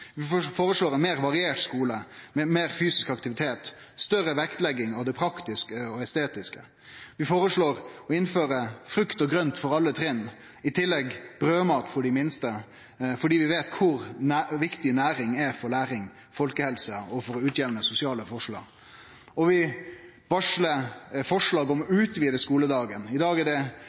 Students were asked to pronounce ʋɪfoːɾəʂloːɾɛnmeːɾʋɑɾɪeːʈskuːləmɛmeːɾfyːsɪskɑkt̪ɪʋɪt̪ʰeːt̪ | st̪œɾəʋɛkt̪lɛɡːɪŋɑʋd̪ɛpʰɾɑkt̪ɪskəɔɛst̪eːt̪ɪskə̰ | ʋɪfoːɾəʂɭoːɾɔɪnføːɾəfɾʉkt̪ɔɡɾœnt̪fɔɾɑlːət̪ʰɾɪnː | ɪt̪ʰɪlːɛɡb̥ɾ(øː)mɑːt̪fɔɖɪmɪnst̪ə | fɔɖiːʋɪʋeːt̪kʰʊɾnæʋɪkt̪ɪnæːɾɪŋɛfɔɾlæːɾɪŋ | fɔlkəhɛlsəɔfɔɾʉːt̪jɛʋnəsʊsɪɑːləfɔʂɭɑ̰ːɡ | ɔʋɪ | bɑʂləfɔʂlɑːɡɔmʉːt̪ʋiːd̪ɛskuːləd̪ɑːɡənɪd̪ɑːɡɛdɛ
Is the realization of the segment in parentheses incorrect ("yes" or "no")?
no